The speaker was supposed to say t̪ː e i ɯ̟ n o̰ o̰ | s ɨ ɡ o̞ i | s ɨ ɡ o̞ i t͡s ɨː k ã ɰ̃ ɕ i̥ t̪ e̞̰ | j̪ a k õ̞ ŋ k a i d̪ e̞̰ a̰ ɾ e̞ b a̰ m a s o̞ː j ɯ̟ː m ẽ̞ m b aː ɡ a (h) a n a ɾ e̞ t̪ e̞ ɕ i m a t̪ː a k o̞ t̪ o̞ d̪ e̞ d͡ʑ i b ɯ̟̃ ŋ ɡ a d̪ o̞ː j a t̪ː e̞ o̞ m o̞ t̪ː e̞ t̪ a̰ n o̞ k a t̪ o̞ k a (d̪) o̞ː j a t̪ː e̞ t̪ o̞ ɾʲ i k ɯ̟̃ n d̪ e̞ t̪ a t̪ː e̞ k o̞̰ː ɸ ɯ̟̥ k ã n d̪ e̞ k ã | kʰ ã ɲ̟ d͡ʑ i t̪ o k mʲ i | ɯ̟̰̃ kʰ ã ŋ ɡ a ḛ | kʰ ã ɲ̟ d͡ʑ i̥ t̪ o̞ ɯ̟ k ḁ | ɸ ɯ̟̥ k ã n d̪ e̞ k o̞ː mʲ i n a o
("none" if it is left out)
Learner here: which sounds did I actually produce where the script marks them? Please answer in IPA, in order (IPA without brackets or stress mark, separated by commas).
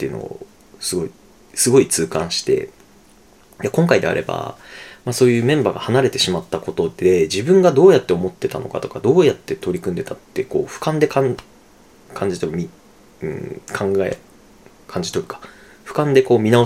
h, d̪